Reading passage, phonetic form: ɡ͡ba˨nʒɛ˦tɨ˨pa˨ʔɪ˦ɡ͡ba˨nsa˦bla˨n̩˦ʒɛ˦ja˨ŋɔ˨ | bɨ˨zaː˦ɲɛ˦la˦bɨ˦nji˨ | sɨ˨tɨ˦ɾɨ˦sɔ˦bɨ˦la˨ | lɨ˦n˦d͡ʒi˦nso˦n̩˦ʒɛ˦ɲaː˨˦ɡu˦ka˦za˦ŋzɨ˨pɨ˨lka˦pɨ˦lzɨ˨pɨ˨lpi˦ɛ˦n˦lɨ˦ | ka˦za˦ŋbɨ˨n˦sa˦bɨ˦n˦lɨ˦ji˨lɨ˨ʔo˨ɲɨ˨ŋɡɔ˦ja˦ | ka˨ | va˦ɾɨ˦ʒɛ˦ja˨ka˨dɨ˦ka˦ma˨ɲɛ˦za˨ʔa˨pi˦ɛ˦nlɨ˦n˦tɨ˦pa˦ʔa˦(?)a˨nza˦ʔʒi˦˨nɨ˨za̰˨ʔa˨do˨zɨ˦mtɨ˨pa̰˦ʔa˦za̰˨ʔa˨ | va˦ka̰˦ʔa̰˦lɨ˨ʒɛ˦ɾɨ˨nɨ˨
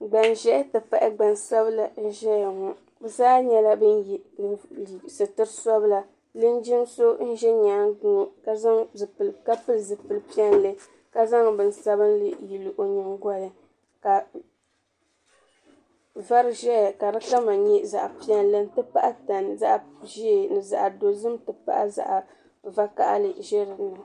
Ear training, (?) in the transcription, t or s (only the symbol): t